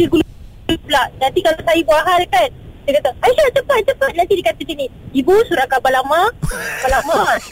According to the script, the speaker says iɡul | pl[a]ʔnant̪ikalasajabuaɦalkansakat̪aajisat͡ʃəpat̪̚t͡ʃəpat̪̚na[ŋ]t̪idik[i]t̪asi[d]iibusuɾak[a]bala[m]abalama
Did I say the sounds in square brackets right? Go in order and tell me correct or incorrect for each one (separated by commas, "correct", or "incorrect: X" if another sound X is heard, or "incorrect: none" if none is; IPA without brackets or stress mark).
correct, incorrect: n, incorrect: a, incorrect: n, correct, correct